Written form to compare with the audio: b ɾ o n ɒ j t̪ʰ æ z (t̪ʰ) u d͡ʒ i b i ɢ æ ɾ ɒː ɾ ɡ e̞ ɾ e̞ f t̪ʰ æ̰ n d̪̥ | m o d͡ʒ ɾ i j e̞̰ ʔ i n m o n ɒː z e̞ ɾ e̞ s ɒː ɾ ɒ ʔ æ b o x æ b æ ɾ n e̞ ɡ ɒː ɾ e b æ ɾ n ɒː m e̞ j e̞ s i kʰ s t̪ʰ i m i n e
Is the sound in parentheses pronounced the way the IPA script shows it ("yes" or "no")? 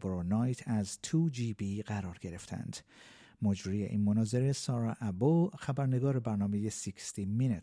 yes